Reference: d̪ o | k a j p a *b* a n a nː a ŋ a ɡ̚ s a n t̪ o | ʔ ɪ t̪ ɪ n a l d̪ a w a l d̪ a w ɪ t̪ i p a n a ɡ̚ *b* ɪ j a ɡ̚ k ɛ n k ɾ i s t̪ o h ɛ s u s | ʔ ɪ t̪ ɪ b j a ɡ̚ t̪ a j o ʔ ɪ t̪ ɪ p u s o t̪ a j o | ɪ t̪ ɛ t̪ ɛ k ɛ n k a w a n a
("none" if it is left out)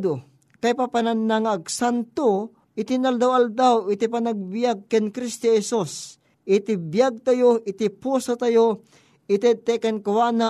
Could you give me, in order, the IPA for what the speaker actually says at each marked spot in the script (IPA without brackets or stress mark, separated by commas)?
p, b